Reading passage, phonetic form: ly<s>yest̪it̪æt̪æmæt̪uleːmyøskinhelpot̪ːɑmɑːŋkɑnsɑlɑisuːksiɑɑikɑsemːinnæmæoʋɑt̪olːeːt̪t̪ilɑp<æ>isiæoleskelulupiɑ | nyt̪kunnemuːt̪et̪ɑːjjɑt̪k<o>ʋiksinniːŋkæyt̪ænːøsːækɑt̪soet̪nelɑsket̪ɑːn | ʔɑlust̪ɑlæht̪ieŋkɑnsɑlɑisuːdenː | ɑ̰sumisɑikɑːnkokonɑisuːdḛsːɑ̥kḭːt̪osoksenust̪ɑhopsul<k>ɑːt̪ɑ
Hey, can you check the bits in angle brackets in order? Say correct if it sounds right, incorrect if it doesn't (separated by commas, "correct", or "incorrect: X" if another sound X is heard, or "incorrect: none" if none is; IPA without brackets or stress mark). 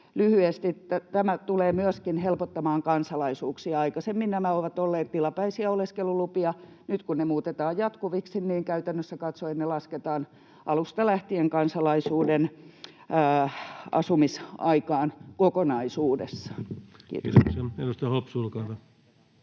incorrect: h, correct, incorrect: u, correct